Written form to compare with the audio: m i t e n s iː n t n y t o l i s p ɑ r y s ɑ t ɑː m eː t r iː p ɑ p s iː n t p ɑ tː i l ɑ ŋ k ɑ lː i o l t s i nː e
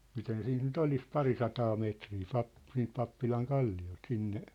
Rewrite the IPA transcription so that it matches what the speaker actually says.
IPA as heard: m i t e n s iː n t n y t o l i s p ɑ r i s ɑ t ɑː m eː t r iː p ɑ p s iː n t p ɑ pː i l ɑ ŋ k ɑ lː i o l t s i nː e